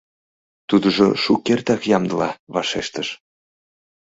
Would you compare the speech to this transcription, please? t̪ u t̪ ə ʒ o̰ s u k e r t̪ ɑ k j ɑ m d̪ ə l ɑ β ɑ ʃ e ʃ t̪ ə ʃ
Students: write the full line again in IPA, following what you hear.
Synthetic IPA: t̪ u d̪ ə ʒ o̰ ʃ u k e r t̪ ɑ k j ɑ m d̪ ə l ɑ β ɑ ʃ e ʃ t̪ ə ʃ